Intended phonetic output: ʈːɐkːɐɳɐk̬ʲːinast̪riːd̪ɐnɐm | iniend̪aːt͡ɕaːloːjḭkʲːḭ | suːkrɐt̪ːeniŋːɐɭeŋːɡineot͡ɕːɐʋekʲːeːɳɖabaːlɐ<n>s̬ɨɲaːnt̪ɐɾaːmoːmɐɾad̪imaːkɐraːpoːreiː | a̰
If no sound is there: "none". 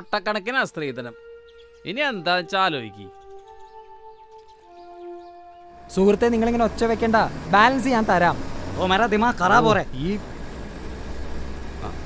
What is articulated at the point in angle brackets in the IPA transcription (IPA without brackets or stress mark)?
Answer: n